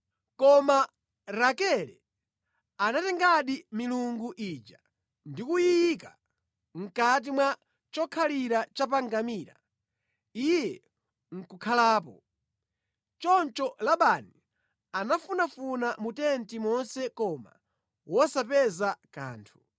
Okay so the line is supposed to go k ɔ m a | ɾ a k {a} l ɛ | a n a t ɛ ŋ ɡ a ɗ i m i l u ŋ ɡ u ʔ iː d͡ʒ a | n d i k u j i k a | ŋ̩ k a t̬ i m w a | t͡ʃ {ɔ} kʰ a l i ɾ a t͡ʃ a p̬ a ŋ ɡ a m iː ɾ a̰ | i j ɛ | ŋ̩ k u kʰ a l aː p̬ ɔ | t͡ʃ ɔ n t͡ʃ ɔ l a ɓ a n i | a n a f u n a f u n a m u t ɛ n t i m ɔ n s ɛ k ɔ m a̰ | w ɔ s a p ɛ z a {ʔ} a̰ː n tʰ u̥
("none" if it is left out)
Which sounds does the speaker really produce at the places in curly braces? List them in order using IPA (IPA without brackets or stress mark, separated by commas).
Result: ɛ, ɔ, k